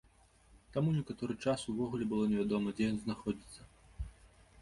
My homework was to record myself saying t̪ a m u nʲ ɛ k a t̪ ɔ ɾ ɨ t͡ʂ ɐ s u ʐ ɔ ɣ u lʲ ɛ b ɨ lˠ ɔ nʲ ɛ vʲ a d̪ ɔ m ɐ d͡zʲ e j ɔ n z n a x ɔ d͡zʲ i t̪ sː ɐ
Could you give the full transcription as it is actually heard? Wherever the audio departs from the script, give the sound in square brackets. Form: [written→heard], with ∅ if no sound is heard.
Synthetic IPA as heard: t̪ a m u nʲ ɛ k a t̪ ɔ ɾ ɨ t͡ʂ [ɐ→a] s u [ʐ→v] ɔ ɣ u lʲ ɛ b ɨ lˠ ɔ nʲ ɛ vʲ a d̪ ɔ m ɐ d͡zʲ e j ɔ n z n a x ɔ d͡zʲ i t̪ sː ɐ